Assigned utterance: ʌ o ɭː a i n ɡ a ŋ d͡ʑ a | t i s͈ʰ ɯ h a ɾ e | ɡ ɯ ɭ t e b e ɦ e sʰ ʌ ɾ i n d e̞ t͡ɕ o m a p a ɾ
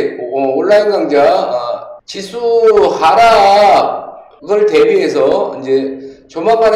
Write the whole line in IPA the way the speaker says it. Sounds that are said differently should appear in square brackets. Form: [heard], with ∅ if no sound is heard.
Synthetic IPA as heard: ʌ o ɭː a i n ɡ a ŋ d͡ʑ a | [t͡ɕ] i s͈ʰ [u] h a ɾ [a] | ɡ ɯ ɭ t e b [i] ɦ e sʰ ʌ [∅] i n [d͡ʑ] e̞ t͡ɕ o m a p a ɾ